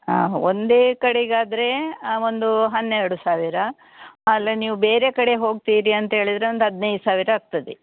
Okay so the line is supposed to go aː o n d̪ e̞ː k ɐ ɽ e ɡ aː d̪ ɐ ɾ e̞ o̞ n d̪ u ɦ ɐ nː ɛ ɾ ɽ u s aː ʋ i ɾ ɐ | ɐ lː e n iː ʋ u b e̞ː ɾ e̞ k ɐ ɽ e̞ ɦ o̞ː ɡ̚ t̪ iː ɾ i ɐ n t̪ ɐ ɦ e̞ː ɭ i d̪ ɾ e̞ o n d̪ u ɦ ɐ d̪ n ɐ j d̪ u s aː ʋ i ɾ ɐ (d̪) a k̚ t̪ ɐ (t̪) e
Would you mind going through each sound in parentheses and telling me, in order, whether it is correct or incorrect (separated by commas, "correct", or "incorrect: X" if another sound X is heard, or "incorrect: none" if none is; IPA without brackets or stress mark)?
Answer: incorrect: none, incorrect: d̪